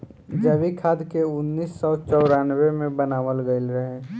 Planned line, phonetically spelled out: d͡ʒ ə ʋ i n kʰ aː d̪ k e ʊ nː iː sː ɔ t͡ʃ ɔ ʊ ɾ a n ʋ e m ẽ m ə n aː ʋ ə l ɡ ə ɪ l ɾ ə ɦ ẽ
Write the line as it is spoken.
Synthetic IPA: d͡ʒ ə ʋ i kʰ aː d̪ k e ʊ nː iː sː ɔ t͡ʃ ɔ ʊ ɾ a n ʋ e m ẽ b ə n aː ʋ ə l ɡ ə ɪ l ɾ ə ɦ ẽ